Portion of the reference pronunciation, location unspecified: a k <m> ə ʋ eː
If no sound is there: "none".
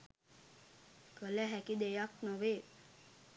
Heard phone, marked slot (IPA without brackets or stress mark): n